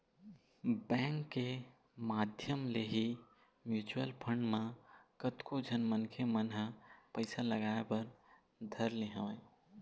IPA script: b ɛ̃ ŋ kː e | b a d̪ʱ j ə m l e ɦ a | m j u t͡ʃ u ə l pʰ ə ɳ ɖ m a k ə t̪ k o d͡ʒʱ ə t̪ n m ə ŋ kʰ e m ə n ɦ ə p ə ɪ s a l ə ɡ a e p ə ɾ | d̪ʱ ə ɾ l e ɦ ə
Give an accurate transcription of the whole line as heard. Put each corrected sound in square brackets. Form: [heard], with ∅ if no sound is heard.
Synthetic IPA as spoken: b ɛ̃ ŋ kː e | [m] a d̪ʱ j ə m l e ɦ [i] | m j u t͡ʃ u ə l pʰ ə ɳ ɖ m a k ə t̪ k o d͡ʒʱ ə [∅] n m ə [n] kʰ e m ə n ɦ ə p ə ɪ s a l ə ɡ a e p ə ɾ | d̪ʱ ə ɾ l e ɦ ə